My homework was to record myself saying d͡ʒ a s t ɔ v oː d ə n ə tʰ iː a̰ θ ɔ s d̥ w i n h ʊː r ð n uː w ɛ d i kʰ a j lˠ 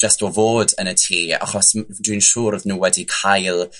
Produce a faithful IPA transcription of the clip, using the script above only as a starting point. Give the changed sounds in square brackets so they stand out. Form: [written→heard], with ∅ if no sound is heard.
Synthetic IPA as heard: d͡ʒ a s t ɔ v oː d ə n ə tʰ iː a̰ [θ→χ] ɔ s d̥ w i n [h→ʃ] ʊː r ð n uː w ɛ d i kʰ a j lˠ